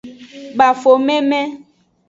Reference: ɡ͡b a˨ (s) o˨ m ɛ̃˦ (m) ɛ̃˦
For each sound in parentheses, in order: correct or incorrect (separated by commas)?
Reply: incorrect, correct